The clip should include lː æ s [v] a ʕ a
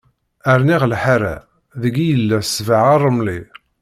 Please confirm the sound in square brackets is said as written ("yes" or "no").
yes